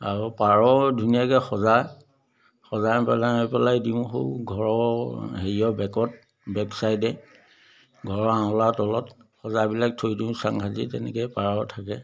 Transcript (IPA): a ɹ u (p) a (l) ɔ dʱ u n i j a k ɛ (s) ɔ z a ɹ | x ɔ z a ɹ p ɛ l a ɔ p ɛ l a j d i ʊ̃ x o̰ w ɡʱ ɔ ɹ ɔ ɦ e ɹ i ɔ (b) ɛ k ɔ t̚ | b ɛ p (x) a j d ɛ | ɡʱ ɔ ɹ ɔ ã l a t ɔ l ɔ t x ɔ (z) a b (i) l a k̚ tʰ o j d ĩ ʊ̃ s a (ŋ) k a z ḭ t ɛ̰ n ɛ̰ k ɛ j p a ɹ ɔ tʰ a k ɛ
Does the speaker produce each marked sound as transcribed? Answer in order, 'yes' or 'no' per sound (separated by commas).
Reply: yes, no, no, yes, no, yes, yes, yes